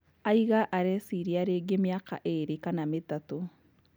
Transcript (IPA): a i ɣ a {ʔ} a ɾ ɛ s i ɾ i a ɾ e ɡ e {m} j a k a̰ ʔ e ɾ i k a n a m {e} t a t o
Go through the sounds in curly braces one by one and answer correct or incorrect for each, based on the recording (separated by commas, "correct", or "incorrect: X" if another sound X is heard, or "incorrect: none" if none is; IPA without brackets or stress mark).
correct, correct, correct